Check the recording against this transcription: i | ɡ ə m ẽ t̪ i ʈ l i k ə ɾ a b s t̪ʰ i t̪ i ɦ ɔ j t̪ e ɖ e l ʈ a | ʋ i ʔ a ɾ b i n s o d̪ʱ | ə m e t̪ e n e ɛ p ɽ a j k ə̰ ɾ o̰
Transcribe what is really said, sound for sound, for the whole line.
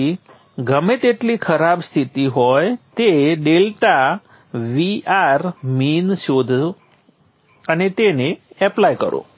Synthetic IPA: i | ɡ ə m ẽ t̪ e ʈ l i kʰ ə ɾ a b s t̪ʰ i t̪ i ɦ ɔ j t̪ e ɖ e l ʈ a | ʋ i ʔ a ɾ m i n ʃ o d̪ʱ | ə n e t̪ e n e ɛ p l a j k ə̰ ɾ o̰